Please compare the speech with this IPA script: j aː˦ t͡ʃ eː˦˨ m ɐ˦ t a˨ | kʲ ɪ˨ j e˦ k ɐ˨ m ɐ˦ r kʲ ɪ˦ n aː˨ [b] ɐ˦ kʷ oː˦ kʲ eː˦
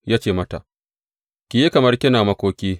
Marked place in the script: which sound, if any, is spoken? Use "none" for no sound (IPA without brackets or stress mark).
m